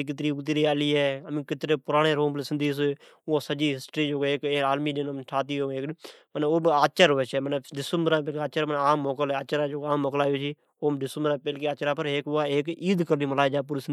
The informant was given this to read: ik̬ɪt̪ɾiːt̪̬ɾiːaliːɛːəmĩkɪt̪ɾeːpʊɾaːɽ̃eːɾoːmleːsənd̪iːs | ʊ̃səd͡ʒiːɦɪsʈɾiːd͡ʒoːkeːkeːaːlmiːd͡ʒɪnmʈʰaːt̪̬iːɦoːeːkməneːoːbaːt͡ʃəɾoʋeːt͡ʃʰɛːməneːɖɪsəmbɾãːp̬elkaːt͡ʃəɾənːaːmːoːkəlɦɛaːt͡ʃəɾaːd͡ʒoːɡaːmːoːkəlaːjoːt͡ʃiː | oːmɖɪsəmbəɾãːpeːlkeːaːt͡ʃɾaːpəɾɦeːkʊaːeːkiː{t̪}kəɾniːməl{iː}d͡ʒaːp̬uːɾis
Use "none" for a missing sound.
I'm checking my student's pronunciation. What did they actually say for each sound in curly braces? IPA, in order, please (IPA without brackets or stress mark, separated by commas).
d̪, aː